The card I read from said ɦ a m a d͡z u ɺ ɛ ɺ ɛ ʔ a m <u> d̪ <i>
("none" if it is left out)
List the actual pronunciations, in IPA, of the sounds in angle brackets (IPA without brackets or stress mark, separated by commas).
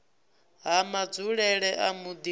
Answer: u, i